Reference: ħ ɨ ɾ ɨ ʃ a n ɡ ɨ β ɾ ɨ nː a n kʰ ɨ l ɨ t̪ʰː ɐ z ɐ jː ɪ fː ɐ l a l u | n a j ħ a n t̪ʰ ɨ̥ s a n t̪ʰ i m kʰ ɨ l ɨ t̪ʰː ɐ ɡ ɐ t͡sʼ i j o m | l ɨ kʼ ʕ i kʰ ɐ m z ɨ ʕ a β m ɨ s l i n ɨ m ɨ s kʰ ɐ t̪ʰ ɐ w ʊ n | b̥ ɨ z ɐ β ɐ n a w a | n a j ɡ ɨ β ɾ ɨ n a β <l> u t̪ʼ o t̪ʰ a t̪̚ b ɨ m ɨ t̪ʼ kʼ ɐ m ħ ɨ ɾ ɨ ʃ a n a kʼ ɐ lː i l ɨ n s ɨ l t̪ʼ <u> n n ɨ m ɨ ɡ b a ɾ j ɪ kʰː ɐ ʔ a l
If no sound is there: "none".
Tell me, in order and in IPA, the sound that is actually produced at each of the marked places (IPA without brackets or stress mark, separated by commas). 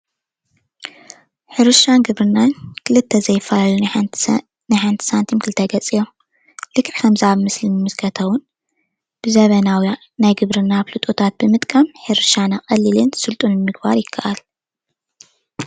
l, u